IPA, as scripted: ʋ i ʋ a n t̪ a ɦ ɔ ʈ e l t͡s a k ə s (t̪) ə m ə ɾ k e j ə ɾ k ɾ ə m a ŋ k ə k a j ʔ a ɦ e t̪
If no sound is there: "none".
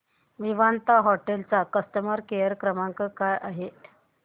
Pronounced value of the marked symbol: t̪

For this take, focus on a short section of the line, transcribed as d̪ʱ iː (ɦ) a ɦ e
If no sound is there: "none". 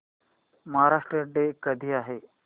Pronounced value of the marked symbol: none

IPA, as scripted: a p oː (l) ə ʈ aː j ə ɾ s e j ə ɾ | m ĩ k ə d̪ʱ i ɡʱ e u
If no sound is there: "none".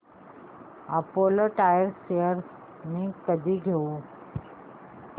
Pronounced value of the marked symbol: l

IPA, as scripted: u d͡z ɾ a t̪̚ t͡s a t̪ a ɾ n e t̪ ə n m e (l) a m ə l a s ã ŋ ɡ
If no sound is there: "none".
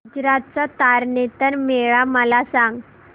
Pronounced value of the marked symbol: ɭ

